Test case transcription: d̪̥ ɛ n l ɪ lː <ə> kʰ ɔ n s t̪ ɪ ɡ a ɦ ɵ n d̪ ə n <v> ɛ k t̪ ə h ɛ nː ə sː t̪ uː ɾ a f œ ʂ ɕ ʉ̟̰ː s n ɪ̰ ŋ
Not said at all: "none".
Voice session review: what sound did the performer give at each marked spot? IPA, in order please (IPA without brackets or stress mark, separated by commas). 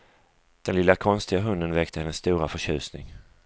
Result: a, v